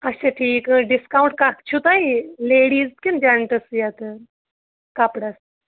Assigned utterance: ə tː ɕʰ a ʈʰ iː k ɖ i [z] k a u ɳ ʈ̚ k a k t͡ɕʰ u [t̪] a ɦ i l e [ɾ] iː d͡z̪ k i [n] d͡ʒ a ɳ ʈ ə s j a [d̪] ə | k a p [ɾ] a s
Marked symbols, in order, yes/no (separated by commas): no, yes, no, yes, no, no